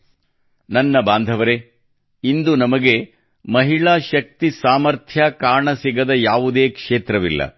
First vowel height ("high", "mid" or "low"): low